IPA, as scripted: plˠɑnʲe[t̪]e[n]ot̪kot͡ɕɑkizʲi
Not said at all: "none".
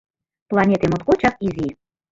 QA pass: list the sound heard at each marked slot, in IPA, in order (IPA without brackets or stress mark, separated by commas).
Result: t̪, m